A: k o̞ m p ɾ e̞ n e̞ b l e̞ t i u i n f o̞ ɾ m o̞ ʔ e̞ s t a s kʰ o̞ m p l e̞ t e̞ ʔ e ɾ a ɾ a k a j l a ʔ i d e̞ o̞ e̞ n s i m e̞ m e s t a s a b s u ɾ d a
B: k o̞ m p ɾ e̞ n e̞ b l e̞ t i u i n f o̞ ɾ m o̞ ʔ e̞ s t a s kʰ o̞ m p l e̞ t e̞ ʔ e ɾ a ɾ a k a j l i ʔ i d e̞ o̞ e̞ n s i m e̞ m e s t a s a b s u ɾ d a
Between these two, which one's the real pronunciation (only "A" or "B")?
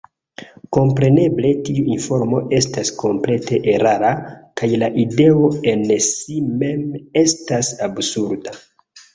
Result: A